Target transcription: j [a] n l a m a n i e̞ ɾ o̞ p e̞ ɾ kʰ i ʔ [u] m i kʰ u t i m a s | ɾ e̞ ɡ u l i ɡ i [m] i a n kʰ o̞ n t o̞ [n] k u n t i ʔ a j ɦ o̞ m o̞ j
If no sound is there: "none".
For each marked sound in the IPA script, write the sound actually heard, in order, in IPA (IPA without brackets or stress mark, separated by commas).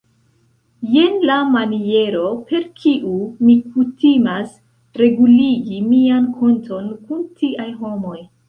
e, u, m, n